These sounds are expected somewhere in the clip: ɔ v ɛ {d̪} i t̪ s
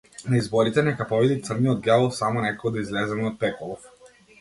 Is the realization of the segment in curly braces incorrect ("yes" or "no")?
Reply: no